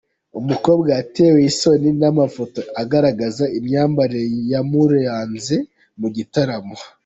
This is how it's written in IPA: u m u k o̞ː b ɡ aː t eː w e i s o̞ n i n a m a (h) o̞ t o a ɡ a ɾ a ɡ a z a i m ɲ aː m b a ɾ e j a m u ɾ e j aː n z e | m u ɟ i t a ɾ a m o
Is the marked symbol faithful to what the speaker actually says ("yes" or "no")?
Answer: no